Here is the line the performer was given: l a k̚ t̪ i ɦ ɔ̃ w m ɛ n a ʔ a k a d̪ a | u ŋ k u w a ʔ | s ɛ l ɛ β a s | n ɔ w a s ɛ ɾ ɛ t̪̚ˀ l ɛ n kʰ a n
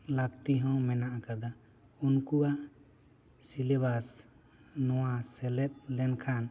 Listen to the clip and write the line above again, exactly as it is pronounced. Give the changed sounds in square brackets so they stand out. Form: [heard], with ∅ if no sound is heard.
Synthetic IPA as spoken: l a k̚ t̪ i ɦ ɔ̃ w m ɛ n a ʔ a k a d̪ a | u [n] k u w a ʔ | s [i] l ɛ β a s | n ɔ w a s ɛ [l] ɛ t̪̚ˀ l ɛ n kʰ a n